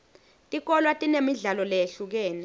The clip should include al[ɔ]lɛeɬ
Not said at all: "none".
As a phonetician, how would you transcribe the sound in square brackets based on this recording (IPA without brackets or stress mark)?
ɔ